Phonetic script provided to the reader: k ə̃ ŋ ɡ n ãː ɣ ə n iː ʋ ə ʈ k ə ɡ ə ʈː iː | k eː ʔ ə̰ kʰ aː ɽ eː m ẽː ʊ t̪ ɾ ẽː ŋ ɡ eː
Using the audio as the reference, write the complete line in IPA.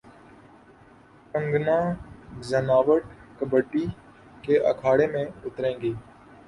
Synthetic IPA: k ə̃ ŋ ɡ n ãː z ə n aː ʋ ə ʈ k ə b ə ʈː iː | k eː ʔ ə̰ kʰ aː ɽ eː m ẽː ʊ t̪ ɾ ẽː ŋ ɡ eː